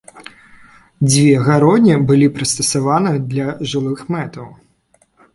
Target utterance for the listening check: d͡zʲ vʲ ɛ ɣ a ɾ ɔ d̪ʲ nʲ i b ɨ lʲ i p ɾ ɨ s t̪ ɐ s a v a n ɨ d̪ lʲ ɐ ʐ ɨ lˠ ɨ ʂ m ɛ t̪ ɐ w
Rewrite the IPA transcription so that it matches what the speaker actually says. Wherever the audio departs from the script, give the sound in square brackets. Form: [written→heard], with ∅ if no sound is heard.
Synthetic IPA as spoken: d͡zʲ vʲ ɛ ɣ a ɾ ɔ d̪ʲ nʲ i b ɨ lʲ i p ɾ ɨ s t̪ ɐ s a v a n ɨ d̪ lʲ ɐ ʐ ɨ lˠ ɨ [ʂ→x] m ɛ t̪ ɐ w

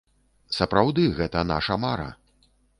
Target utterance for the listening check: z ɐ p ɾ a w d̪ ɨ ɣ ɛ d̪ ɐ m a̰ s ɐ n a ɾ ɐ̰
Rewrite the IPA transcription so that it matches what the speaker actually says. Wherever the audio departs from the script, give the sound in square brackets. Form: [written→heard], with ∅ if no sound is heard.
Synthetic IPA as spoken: [z→s] ɐ p ɾ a w d̪ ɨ ɣ ɛ [d̪→t̪] ɐ [m→n] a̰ [s→ʂ] ɐ [n→m] a ɾ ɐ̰

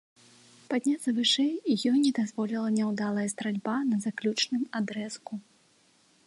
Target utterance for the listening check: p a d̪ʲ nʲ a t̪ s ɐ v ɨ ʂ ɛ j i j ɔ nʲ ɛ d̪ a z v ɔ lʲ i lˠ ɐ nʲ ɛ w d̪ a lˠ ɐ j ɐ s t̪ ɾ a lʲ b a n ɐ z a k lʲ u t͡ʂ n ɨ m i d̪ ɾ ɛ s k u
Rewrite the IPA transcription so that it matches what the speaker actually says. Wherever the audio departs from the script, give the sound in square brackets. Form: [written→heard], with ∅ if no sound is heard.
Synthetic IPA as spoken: p a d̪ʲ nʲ a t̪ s ɐ v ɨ ʂ ɛ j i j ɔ nʲ ɛ d̪ a z v ɔ lʲ i lˠ ɐ nʲ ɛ w d̪ a lˠ ɐ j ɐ s t̪ ɾ a lʲ b a n ɐ z a k lʲ u t͡ʂ n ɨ m [i→a] d̪ ɾ ɛ s k u

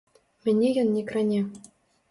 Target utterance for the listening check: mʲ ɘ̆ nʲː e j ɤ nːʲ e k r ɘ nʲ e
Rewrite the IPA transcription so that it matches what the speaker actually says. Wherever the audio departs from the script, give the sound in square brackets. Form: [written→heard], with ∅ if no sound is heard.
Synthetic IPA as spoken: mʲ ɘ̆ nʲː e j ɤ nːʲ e k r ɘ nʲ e

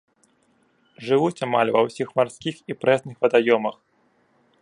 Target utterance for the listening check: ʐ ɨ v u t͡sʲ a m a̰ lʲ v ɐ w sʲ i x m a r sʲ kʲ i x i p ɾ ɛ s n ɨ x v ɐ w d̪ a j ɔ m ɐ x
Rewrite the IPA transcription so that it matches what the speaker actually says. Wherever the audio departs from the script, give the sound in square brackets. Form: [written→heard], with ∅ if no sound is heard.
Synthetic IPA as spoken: ʐ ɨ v u t͡sʲ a m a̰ lʲ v ɐ w sʲ i x m a r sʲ kʲ i x i p ɾ ɛ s n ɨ x v ɐ [w→∅] d̪ a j ɔ m ɐ x

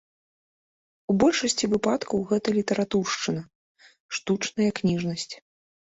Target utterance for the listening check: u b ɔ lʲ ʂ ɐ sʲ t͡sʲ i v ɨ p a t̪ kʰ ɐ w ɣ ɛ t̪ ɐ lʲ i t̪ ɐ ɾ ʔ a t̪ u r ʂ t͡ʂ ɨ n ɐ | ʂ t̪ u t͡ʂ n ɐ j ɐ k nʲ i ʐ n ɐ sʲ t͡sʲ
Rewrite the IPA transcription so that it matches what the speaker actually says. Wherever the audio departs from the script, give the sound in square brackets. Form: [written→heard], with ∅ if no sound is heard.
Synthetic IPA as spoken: u b ɔ lʲ ʂ ɐ sʲ t͡sʲ i v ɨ p a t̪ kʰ ɐ w ɣ ɛ t̪ ɐ lʲ i t̪ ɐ ɾ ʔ a t̪ u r ʂ t͡ʂ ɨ n ɐ | ʂ t̪ u t͡ʂ n ɐ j ɐ k nʲ i ʐ n ɐ sʲ t͡sʲ

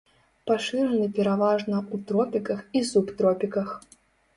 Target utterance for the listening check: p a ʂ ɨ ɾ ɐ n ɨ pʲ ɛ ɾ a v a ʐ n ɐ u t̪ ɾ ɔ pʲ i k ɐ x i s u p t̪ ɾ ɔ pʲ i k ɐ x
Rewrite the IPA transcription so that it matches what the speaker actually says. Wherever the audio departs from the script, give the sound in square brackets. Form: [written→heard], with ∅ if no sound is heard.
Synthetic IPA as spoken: p a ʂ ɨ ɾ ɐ n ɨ pʲ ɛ ɾ a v a ʐ n ɐ u t̪ ɾ ɔ pʲ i k ɐ x i s u p t̪ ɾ ɔ pʲ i k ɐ x

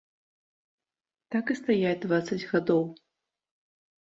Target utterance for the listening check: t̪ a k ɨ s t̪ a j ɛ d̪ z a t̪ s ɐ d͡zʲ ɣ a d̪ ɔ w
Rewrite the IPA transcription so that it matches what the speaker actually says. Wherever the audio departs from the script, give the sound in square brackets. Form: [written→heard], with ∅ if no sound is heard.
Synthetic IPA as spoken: t̪ a k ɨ s t̪ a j [ɛ→a] d̪ [z→v] a t̪ s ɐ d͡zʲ ɣ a d̪ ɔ w

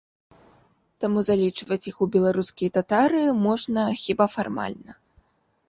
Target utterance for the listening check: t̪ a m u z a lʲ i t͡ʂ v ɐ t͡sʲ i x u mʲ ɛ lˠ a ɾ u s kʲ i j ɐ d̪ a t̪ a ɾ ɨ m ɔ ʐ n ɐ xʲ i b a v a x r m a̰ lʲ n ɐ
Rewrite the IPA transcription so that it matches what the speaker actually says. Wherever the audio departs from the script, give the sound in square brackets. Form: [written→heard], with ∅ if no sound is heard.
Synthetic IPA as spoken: t̪ a m u z a lʲ i t͡ʂ v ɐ t͡sʲ i x u [mʲ→bʲ] ɛ lˠ a ɾ u s kʲ i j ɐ [d̪→t̪] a t̪ a ɾ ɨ m ɔ ʐ n ɐ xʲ i b a [v→f] a [x→∅] r m a̰ lʲ n ɐ

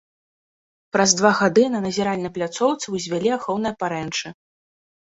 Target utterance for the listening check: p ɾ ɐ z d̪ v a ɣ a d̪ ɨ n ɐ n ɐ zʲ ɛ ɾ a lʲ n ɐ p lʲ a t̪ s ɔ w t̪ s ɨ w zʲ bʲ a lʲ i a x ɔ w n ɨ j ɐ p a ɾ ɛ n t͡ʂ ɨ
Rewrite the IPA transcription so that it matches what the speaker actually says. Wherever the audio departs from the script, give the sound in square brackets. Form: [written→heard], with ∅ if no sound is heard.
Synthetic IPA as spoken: p ɾ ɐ z d̪ v a ɣ a d̪ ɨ n ɐ n ɐ zʲ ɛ ɾ a lʲ n ɐ p lʲ a t̪ s ɔ w t̪ s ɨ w zʲ [bʲ→vʲ] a lʲ i a x ɔ w n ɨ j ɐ p a ɾ ɛ n t͡ʂ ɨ

